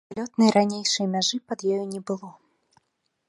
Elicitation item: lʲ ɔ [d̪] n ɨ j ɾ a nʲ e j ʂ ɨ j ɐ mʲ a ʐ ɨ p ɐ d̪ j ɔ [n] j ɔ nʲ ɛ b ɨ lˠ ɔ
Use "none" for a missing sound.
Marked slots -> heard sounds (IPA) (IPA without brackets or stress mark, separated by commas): t̪, none